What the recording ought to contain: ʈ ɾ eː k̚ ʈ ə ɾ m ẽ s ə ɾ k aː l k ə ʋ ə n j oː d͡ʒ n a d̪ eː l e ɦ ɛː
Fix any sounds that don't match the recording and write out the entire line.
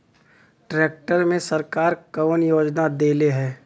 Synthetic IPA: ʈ ɾ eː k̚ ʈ ə ɾ m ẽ s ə ɾ k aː ɾ k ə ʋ ə n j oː d͡ʒ n a d̪ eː l e ɦ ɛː